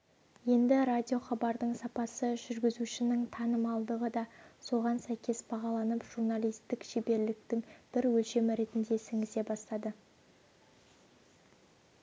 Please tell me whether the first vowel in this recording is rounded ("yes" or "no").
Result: no